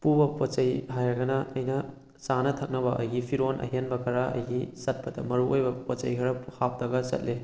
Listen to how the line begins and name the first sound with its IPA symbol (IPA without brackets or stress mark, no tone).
p